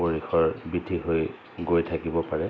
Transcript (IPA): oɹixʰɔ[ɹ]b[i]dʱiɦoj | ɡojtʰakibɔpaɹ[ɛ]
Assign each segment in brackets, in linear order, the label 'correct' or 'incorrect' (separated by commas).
correct, correct, correct